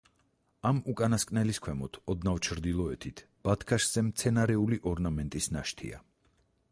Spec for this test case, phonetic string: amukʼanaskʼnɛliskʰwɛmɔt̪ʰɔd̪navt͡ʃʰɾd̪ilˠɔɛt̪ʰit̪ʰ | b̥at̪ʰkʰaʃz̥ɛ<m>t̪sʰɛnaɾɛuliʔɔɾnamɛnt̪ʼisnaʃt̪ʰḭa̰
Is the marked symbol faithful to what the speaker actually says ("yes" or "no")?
yes